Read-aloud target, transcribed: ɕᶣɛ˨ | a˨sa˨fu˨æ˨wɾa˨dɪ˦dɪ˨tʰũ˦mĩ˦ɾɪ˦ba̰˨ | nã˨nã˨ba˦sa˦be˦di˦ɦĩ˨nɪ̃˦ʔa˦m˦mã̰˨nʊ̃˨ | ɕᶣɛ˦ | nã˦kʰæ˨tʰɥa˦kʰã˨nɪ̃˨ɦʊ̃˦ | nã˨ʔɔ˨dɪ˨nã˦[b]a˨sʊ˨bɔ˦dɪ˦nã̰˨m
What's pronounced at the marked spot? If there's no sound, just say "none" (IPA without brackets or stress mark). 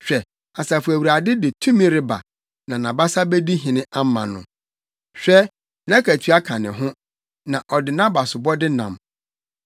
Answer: b